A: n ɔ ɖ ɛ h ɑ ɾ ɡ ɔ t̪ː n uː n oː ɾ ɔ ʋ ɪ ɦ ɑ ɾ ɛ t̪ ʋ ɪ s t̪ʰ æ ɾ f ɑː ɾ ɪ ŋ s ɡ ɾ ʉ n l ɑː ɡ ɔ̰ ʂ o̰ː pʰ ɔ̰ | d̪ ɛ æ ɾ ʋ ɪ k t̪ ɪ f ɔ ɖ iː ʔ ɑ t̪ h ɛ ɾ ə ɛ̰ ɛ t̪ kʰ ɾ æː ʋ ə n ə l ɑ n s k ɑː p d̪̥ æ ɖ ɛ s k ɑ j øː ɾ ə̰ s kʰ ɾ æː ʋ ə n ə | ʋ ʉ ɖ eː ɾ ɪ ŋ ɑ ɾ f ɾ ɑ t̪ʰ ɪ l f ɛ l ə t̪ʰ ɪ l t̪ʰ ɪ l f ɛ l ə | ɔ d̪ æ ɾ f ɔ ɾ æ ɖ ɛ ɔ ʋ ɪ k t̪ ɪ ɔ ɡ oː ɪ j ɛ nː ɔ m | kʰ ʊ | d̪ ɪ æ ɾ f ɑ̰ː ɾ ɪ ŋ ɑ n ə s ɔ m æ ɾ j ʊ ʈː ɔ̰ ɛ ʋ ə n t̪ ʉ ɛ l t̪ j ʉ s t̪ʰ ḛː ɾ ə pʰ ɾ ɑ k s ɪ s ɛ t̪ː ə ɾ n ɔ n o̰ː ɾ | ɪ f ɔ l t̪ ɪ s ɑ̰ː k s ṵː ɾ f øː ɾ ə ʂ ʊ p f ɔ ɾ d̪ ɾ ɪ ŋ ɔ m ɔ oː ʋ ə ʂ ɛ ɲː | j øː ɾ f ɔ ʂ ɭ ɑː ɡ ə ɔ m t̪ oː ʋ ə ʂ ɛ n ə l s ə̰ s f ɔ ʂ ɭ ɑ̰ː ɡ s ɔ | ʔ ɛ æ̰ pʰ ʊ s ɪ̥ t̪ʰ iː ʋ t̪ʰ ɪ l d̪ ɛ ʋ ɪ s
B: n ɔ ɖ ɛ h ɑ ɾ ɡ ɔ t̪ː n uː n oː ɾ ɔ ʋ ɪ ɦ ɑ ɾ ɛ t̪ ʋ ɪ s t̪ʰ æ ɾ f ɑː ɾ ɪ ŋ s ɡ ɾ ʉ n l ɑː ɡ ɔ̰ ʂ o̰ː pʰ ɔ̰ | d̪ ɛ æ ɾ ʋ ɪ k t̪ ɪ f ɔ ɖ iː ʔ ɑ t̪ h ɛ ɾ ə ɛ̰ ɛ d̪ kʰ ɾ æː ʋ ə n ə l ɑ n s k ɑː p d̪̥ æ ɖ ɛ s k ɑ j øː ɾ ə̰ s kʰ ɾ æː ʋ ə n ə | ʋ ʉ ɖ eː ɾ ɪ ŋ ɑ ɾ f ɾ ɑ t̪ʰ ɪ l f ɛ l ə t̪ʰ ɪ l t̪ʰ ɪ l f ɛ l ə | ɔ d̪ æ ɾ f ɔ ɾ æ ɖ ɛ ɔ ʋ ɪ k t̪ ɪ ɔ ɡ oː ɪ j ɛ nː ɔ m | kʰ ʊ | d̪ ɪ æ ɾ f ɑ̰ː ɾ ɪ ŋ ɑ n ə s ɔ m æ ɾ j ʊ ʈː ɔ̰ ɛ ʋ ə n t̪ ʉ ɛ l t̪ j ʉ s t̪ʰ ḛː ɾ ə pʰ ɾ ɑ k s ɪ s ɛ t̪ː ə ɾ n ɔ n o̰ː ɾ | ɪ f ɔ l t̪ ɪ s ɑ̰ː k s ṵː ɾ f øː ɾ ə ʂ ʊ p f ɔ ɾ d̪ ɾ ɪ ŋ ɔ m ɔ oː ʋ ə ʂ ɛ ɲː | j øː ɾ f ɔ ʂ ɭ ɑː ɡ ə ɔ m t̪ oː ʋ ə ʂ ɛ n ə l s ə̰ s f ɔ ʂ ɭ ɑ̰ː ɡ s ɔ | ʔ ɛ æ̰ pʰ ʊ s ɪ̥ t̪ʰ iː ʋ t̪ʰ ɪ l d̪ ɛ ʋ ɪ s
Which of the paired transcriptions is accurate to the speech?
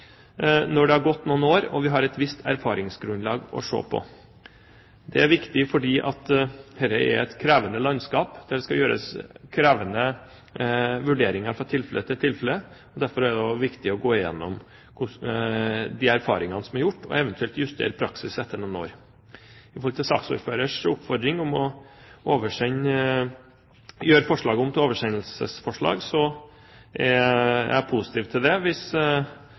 A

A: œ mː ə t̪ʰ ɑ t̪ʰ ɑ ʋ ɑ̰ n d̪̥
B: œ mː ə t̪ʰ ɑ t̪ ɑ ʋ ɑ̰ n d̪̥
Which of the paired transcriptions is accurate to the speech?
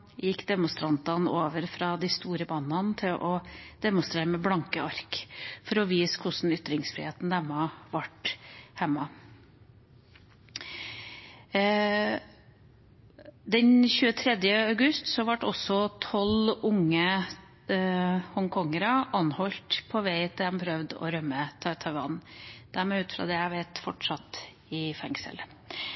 A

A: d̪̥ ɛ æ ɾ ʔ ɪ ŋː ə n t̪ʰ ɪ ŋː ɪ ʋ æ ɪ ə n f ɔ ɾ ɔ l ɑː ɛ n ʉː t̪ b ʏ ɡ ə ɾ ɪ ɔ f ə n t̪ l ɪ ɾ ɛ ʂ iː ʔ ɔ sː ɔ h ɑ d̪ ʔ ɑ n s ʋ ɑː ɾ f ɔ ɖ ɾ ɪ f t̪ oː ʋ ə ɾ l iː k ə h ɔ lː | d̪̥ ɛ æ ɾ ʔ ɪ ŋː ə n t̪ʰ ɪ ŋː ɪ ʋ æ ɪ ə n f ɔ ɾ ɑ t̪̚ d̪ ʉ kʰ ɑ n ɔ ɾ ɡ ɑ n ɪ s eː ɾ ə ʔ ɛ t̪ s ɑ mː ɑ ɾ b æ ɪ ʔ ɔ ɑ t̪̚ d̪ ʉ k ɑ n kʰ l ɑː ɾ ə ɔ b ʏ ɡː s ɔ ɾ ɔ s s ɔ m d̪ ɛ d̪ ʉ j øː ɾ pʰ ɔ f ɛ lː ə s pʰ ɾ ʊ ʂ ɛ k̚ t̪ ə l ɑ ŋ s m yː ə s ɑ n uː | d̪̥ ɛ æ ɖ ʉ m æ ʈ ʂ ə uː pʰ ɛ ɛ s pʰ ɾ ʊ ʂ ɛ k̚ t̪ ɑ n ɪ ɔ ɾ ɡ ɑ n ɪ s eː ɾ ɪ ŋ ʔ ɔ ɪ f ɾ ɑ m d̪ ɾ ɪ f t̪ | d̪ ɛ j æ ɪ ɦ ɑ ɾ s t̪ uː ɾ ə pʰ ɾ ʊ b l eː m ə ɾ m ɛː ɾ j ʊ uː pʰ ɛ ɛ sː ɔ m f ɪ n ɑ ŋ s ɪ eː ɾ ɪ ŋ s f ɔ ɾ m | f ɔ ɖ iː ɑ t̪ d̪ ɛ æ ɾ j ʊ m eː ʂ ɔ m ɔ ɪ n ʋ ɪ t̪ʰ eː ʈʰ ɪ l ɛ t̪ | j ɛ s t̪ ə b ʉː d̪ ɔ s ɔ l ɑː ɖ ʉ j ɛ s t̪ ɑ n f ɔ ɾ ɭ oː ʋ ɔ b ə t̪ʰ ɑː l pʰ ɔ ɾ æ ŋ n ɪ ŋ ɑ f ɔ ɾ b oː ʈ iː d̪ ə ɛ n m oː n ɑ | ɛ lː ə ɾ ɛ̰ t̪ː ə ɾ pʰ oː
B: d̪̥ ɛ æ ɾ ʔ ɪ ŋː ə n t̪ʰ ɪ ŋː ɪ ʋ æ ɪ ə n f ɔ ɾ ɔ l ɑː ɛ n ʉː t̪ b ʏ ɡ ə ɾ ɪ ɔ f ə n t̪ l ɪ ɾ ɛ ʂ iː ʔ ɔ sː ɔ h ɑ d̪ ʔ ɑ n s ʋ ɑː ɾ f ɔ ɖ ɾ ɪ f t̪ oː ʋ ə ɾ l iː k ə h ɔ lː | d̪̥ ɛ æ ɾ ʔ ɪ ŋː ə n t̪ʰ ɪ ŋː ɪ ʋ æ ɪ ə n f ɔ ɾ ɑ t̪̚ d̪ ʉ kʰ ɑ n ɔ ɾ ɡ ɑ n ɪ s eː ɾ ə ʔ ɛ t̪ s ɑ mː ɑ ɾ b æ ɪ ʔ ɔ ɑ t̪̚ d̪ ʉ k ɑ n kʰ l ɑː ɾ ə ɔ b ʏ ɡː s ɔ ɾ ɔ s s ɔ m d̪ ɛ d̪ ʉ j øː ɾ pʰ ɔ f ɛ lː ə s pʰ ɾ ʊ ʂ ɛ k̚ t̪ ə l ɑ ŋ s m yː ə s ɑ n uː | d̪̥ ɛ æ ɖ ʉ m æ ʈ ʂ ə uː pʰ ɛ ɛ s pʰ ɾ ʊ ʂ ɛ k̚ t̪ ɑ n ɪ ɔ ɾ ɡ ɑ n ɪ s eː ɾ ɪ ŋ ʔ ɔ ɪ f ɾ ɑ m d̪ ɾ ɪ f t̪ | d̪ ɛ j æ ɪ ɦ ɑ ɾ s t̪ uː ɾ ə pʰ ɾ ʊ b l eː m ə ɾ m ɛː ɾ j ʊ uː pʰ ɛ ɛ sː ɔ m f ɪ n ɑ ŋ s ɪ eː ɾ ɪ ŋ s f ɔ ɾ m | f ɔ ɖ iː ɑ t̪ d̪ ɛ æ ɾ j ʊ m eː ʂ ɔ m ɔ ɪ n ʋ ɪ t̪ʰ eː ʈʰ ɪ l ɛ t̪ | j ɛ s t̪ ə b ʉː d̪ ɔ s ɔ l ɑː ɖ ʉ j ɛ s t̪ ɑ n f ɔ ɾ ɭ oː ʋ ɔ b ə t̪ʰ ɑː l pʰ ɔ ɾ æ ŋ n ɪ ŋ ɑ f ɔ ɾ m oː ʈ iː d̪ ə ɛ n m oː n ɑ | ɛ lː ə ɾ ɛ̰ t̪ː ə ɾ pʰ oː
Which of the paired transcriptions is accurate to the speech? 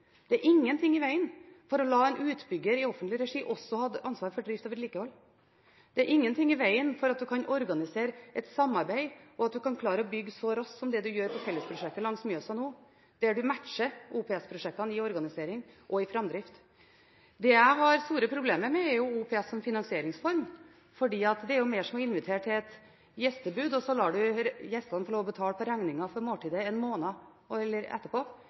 B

